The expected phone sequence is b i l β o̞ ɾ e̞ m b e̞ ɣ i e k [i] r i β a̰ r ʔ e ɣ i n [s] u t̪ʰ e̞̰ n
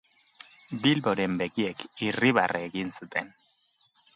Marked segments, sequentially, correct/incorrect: correct, correct

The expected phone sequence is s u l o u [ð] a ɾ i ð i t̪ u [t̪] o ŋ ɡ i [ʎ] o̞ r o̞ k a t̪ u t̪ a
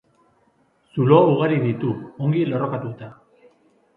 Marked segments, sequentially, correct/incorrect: incorrect: ɣ, incorrect: none, incorrect: l

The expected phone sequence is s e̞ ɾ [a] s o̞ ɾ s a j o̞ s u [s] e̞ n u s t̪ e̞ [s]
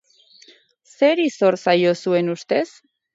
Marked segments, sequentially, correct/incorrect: incorrect: i, incorrect: none, correct

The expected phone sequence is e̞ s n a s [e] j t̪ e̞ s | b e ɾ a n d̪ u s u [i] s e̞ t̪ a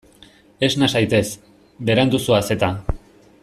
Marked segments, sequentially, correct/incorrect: incorrect: a, incorrect: a

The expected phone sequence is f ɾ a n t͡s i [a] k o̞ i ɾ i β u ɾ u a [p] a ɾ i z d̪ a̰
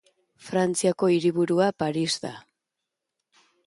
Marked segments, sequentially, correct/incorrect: correct, correct

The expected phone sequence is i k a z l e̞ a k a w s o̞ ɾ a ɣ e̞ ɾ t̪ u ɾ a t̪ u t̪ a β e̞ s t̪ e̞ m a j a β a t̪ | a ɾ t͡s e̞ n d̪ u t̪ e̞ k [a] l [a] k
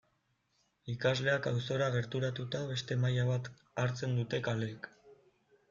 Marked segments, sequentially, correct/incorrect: correct, incorrect: e

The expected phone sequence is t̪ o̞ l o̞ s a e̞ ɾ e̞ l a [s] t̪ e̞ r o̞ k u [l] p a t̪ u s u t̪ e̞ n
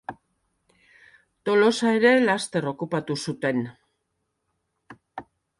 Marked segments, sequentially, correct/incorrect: correct, incorrect: none

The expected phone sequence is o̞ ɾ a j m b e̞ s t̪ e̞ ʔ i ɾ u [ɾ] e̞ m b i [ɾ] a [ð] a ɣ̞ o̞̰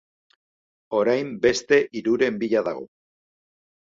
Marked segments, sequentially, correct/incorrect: correct, incorrect: ʎ, correct

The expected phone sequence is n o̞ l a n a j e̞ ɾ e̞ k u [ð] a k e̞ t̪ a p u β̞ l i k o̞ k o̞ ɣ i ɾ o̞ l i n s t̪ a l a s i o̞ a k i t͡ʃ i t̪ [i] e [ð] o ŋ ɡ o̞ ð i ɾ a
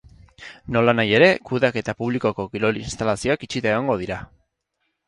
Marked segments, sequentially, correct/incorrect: correct, incorrect: a, incorrect: ɣ

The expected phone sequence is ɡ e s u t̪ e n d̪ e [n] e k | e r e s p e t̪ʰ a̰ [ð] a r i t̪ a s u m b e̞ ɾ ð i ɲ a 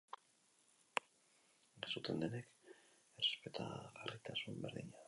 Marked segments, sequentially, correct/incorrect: correct, incorrect: ɣ

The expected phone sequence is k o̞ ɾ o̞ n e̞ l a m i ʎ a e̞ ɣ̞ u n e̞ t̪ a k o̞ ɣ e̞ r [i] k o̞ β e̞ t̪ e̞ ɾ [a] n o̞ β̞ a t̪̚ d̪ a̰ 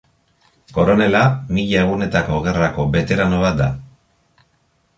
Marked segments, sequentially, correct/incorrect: incorrect: a, correct

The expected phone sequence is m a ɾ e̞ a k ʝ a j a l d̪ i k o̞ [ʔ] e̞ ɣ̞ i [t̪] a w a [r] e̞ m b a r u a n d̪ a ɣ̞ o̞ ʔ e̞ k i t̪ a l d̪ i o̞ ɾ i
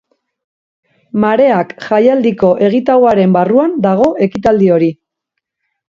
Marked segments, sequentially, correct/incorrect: correct, correct, incorrect: ɾ

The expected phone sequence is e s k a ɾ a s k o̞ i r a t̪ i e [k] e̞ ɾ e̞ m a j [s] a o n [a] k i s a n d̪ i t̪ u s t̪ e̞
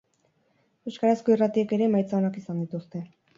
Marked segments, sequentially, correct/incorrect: correct, incorrect: t͡s, correct

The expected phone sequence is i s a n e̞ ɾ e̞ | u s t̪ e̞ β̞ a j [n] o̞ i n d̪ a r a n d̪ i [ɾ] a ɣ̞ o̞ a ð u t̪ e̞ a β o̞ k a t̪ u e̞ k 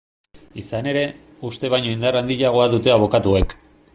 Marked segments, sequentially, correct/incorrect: incorrect: ɲ, incorrect: ʎ

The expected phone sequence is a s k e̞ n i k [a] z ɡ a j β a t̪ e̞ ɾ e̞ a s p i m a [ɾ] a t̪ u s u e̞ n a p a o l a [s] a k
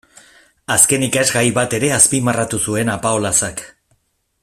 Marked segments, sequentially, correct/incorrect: correct, incorrect: r, correct

